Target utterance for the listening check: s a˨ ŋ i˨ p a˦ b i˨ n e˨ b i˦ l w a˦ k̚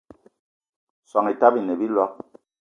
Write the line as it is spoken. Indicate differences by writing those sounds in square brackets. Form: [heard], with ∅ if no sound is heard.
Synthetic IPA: s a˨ ŋ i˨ [t] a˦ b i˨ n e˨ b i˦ l w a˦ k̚

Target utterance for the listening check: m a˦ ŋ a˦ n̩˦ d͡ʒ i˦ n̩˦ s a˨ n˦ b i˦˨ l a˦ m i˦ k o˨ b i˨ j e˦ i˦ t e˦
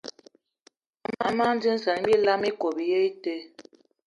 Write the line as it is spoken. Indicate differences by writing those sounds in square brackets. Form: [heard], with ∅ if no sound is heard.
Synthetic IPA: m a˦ [m] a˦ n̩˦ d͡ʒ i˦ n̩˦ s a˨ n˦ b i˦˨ l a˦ m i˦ k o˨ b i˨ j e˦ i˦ t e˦

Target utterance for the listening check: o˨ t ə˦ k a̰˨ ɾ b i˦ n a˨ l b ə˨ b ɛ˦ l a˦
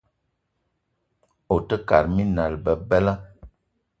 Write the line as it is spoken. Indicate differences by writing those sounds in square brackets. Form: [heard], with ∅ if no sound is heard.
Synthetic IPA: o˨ t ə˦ k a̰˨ ɾ [m] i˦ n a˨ l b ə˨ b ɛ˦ l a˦

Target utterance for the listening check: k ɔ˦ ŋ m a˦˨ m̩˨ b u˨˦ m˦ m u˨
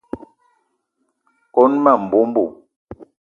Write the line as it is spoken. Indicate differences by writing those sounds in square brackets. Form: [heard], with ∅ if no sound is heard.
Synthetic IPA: k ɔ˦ [n] m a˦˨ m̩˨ b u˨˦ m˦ [b] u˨

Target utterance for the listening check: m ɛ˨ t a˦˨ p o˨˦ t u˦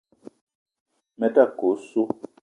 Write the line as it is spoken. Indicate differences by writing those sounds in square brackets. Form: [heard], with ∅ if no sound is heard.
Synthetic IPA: m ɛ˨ t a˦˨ [k] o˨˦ [s] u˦

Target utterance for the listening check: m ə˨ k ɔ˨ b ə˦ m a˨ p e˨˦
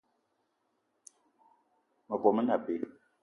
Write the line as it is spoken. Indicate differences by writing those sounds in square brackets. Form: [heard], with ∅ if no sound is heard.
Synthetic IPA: m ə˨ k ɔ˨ [m] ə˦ [n] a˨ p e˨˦

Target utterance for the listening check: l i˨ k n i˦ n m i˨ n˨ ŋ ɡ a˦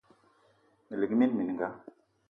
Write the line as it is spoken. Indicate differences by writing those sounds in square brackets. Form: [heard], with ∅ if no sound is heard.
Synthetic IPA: l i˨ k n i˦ n m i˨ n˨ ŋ ɡ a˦

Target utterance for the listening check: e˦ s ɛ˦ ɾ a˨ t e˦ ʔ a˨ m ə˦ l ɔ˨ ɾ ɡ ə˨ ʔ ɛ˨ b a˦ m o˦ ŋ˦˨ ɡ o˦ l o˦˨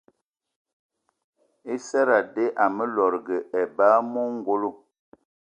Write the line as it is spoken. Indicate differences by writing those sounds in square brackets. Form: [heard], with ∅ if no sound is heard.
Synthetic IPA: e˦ s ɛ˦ ɾ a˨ [d] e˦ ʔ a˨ m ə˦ l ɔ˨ ɾ ɡ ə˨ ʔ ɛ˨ b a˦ m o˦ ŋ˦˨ ɡ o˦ l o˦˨

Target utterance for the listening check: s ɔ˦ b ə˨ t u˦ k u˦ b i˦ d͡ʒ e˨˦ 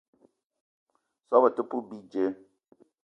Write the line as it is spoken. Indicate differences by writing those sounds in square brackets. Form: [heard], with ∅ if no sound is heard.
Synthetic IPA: s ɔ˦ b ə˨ t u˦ [p] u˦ b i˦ d͡ʒ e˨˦

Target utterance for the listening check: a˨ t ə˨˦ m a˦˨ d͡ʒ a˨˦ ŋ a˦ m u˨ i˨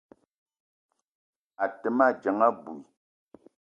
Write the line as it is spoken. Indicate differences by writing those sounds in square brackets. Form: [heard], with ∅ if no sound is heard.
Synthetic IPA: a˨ t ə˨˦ m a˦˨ d͡ʒ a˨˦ ŋ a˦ [b] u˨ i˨

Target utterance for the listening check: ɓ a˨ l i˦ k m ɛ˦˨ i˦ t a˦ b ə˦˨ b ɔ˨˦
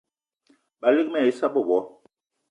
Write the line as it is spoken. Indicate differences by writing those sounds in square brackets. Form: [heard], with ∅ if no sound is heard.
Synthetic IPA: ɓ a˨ l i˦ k m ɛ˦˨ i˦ [s] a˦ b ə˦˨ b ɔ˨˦

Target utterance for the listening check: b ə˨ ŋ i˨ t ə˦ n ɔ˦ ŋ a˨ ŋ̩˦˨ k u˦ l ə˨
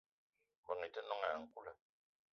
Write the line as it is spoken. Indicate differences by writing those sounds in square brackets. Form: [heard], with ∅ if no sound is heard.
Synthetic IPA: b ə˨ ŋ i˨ t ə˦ n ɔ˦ ŋ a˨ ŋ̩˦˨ k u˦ l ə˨

